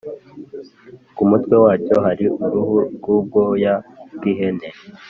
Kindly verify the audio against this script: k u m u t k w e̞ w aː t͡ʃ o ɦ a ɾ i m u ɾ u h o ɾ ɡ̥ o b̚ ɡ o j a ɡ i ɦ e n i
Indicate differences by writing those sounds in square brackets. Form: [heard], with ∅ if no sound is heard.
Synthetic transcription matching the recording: k u m u t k w e̞ w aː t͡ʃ o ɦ a ɾ i [∅] u ɾ u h [u] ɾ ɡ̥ [u] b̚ ɡ o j a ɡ i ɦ e n [e]